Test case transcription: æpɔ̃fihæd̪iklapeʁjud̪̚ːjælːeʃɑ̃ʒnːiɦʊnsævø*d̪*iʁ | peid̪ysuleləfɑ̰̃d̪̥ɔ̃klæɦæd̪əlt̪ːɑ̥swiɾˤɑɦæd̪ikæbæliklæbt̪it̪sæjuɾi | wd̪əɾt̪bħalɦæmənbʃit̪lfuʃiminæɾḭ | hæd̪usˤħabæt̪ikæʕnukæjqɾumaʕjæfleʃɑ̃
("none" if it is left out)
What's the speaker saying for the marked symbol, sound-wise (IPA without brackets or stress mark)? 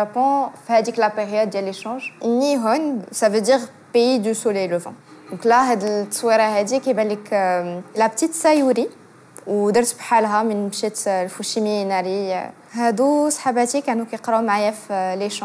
d̪